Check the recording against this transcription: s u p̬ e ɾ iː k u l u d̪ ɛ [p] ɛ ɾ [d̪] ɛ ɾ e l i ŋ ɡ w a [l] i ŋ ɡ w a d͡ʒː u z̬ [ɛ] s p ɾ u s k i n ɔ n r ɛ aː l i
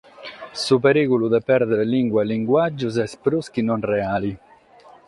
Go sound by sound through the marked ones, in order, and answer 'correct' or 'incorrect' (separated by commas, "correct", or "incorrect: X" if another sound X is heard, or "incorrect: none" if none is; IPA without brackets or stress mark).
correct, correct, correct, correct